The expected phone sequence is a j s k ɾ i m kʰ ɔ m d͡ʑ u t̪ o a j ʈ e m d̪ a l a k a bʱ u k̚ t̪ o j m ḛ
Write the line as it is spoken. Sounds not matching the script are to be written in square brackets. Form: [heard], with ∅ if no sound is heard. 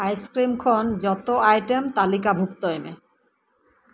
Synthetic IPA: a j s k ɾ i m kʰ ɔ [n] d͡ʑ [ɔ] t̪ o a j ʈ e m [t̪] a l [i] k a bʱ u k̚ t̪ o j m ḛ